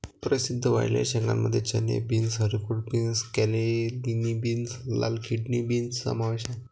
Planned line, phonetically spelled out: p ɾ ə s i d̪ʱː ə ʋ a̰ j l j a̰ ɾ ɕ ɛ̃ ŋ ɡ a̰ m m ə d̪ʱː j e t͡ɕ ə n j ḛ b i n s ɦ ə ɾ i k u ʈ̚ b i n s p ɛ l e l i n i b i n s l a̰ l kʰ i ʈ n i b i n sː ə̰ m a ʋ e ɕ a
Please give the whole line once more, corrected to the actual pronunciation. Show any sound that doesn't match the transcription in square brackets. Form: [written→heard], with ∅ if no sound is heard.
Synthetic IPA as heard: p ɾ ə s i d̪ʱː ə ʋ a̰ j l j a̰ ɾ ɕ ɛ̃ ŋ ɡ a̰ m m ə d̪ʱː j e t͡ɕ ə n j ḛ b i n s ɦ ə ɾ i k u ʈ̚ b i n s [p→k] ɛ l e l i n i b i n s l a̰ l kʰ i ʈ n i b i n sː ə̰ m a ʋ e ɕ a